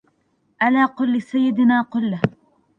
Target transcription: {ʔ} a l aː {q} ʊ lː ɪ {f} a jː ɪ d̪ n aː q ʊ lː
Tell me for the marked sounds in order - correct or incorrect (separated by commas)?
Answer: correct, correct, incorrect